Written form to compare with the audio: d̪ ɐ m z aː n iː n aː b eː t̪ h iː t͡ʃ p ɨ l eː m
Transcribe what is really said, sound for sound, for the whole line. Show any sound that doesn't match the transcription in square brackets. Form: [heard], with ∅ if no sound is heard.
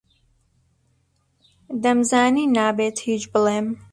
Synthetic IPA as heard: d̪ ɐ m z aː n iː n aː b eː t̪ h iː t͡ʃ [b] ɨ l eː m